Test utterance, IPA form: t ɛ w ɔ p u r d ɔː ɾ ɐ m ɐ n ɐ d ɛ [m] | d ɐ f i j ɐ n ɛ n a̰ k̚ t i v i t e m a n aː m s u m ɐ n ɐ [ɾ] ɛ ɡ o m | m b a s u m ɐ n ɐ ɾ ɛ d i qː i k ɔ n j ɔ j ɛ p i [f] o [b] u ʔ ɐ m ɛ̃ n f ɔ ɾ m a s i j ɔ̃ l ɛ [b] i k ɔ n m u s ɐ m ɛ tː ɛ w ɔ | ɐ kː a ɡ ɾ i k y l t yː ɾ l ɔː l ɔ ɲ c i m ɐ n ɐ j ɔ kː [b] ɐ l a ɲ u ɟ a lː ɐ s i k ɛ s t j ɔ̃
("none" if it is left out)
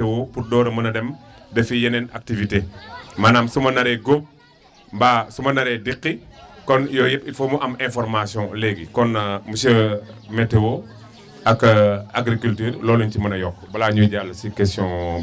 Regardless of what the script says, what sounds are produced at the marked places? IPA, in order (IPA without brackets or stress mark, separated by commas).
m, ɾ, f, m, ɡ, b